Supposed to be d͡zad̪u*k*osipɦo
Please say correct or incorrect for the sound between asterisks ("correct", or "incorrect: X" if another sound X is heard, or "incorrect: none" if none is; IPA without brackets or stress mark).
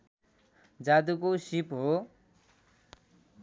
correct